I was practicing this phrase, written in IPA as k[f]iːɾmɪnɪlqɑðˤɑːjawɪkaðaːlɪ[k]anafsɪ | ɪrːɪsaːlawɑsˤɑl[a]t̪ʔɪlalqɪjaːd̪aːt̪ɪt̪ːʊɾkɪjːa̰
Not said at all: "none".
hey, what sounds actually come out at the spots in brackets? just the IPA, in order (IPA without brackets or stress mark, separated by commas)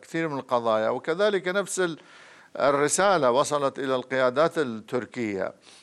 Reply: θ, k, ɑ